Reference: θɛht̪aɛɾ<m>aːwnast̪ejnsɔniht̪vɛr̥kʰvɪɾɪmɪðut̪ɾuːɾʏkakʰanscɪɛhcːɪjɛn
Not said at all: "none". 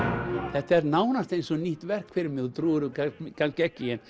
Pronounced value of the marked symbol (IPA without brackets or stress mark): n